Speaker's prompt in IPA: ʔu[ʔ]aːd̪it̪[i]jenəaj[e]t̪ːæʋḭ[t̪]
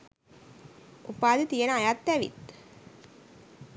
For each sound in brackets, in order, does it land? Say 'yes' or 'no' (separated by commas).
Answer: no, yes, no, yes